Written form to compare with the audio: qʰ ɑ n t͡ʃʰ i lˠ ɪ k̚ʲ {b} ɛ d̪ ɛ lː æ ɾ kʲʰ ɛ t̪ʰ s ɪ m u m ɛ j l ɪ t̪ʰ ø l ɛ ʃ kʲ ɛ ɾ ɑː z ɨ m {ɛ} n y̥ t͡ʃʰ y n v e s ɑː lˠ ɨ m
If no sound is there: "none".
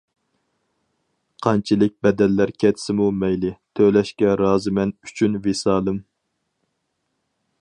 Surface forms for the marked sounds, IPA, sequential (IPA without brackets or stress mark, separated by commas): b, ɛ